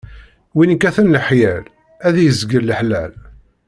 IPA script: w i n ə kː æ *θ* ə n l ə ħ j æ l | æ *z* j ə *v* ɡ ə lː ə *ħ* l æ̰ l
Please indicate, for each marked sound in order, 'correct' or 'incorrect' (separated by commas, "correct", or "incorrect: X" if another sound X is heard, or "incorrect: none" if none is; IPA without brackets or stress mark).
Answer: correct, incorrect: ð, incorrect: z, correct